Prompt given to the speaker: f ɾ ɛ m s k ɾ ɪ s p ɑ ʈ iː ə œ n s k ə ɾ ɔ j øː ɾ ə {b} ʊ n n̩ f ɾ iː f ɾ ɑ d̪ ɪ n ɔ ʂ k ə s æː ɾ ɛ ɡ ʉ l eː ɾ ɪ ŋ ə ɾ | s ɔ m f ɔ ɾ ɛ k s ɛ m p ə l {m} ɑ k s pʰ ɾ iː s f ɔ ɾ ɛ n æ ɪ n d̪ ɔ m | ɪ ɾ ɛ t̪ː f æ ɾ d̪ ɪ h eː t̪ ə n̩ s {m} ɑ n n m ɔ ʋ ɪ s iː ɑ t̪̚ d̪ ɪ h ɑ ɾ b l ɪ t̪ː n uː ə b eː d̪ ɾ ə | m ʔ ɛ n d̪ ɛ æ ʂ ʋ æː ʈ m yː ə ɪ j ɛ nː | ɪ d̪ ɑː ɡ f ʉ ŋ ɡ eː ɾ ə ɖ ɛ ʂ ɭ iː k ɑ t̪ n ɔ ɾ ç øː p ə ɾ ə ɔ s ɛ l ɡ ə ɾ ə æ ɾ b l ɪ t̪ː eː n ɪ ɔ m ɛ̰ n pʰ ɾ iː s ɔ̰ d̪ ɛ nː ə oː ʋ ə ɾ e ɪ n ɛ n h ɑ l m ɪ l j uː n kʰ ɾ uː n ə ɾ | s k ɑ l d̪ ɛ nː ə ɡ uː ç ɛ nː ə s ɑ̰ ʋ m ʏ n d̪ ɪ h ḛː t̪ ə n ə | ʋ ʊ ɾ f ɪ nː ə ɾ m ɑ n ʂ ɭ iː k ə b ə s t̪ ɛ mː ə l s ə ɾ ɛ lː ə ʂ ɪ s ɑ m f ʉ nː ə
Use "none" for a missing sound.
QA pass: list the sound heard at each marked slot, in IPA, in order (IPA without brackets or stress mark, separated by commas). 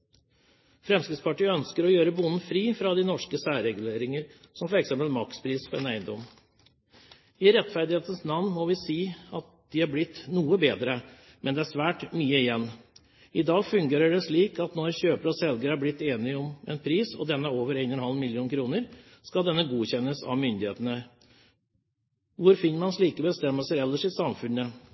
b, m, n